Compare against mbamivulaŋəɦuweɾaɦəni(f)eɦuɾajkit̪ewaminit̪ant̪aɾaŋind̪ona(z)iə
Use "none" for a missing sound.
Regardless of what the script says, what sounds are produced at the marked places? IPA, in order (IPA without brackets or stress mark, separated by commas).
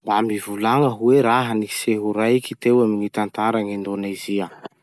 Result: s, z